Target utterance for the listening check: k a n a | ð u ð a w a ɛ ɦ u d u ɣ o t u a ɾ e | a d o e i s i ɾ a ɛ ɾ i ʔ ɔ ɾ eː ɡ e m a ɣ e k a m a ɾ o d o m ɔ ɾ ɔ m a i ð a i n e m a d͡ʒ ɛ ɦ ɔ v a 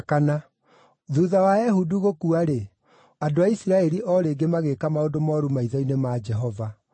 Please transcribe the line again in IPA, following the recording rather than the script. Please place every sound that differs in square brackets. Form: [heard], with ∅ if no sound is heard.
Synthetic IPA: k a n a | ð u ð a w a ɛ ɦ u d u ɣ o [k] u a ɾ e | a d o [a] i s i ɾ a ɛ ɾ i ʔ ɔ ɾ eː ɡ e m a ɣ e k a m a [∅] o d o m ɔ ɾ [u] m a i ð a i n e m a d͡ʒ ɛ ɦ ɔ v a

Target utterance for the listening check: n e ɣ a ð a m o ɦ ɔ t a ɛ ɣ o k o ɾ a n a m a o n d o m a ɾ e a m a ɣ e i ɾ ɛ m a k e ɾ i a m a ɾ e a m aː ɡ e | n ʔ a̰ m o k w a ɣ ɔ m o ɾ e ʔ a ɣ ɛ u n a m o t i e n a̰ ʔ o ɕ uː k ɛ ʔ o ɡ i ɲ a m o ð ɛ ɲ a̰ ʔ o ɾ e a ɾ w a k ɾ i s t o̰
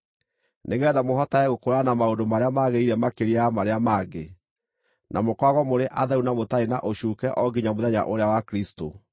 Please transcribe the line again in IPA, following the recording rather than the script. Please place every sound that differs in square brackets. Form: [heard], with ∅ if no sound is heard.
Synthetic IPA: n e ɣ [ɛ] ð a m o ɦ ɔ t a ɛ ɣ o k o ɾ a n a m a o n d o m a ɾ e a m a ɣ e i ɾ ɛ m a k e ɾ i a m a ɾ e a m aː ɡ e | n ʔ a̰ m o k w a ɣ ɔ m o ɾ e ʔ a [ð] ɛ u n a m o t [a] e n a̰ ʔ o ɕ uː k ɛ ʔ [ɔ] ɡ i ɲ a m o ð ɛ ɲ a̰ ʔ o ɾ e a [∅] w a k ɾ i s t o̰

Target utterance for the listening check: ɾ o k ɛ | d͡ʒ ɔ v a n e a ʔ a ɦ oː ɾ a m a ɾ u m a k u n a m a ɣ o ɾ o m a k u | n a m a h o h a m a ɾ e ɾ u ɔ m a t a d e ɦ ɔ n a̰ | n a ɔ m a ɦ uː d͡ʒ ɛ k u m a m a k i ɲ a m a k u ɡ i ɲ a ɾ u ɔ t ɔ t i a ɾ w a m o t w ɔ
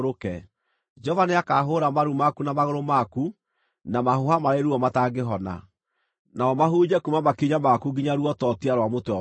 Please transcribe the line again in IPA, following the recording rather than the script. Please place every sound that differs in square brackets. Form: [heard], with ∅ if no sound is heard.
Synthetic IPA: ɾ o k ɛ | d͡ʒ ɔ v a n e a [k] a ɦ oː ɾ a m a ɾ u m a k u n a m a ɣ o ɾ o m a k u | n a m a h o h a m a ɾ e ɾ u ɔ m a t a [ɡ] e ɦ ɔ n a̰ | n a ɔ m a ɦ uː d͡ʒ ɛ k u m a m a k i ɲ a m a k u ɡ i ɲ a ɾ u ɔ t ɔ t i a ɾ w a m o t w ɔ

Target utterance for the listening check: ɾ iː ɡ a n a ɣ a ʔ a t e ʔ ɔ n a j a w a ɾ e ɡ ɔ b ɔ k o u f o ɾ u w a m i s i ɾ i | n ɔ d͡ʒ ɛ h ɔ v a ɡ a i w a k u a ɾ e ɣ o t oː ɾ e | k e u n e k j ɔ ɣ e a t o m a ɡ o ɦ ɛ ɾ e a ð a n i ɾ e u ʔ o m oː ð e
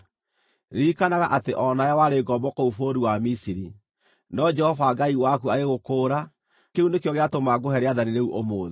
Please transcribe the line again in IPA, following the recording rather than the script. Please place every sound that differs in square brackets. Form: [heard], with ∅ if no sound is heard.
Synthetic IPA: ɾ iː [k] a n a ɣ a ʔ a t e ʔ ɔ n a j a w a ɾ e ɡ ɔ b ɔ k o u f o ɾ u w a m i s i ɾ i | n ɔ d͡ʒ ɛ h ɔ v a ɡ a i w a k u a ɾ e ɣ o [k] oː ɾ [a] | k e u n e k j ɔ ɣ e a t o m a ɡ o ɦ ɛ ɾ e a ð a n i ɾ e u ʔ o m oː ð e

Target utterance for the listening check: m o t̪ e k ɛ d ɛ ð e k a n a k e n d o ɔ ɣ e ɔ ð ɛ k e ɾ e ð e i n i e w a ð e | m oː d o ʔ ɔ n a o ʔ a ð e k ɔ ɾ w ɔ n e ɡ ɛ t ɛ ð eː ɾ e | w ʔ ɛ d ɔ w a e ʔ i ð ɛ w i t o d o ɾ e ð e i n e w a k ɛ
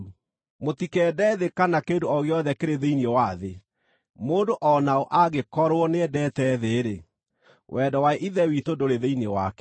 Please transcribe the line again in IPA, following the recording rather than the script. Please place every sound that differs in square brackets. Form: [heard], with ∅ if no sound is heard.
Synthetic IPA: m o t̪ [i] k ɛ d ɛ ð e k a n a k e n d o ɔ ɣ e ɔ ð ɛ k e ɾ e ð e i n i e w a ð e | m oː d o ʔ ɔ n a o ʔ a [ɣ] e k ɔ ɾ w ɔ n e [d] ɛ t ɛ ð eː ɾ e | w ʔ ɛ d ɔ w a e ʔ i ð ɛ w i t o d o ɾ e ð e i n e w a k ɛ

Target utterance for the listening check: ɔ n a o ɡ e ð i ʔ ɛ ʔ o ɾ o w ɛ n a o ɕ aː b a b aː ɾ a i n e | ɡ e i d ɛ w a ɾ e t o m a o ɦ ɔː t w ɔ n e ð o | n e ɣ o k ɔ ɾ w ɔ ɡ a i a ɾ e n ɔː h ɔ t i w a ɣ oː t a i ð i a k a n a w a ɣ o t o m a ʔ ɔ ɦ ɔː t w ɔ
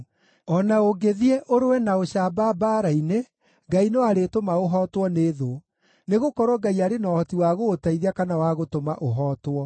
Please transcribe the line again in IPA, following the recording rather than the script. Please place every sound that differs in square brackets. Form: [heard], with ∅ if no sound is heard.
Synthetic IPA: ɔ n a o ɡ e ð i [∅] ɛ ʔ o ɾ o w ɛ n a o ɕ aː b a b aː ɾ a i n e | ɡ [a] i [n] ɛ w a ɾ e t o m a o ɦ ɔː t w ɔ n e ð o | n e ɣ o k ɔ ɾ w ɔ ɡ a i a ɾ e n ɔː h ɔ t i w a ɣ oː t a i ð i a k a n a w a ɣ o t o m a ʔ [o] ɦ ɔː t w ɔ

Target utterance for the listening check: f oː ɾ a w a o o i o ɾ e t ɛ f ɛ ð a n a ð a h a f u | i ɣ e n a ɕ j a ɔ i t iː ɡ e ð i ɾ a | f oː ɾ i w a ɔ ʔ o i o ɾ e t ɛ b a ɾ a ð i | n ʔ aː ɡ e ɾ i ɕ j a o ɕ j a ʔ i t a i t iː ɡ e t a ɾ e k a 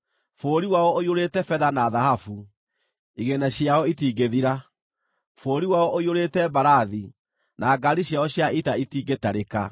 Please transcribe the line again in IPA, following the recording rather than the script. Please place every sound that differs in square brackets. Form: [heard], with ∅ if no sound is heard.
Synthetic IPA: f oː ɾ [i] w a [ɔ] o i o ɾ e t ɛ f ɛ ð a n a ð a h a f u | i ɣ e n a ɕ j a ɔ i t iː ɡ e ð i ɾ a | f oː ɾ i w a ɔ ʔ o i o ɾ e t ɛ b a ɾ a ð i | n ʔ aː ɡ [a] ɾ i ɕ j a [ɔ] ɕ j a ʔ i t a i t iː ɡ e t a ɾ e k a

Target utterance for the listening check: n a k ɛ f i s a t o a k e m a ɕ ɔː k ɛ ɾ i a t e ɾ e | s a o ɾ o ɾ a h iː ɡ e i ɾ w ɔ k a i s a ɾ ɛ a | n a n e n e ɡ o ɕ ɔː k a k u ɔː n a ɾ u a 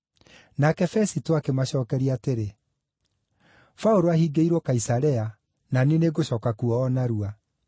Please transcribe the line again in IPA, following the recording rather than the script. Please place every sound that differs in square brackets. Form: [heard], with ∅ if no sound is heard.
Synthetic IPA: n a k ɛ f [ɛ] s [i] t o a k e m a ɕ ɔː k ɛ ɾ i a t e ɾ e | [f] a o ɾ o [∅] a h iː ɡ e i ɾ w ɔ k a i s a ɾ ɛ a | n a n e n e ɡ o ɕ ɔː k a k u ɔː n a ɾ u a

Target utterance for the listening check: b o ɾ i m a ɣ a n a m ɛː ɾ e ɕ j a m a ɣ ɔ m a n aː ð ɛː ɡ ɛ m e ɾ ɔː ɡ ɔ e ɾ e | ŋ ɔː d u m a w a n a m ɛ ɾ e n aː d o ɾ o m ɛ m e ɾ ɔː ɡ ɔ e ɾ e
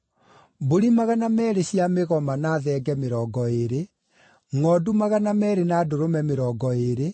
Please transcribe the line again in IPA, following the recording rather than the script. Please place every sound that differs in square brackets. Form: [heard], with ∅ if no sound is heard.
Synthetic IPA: b o ɾ i m a ɣ a n a m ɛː ɾ e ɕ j a m [e] ɣ ɔ m a n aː ð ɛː ɡ ɛ m e ɾ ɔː ɡ ɔ e ɾ e | ŋ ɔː d u m a [ɣ] a n a m ɛ ɾ e n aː d o ɾ o m ɛ m e ɾ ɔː ɡ ɔ e ɾ e

